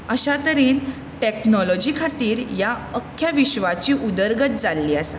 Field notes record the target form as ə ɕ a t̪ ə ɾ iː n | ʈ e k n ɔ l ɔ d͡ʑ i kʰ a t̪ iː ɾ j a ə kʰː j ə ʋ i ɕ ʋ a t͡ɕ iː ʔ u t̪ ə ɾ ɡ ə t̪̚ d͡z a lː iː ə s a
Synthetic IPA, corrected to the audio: ə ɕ a t̪ ə ɾ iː n | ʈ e k n ɔ l ɔ d͡ʑ i kʰ a t̪ iː ɾ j a ə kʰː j a ʋ i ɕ ʋ a t͡ɕ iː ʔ u d̪ ə ɾ ɡ ə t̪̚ d͡z a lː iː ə s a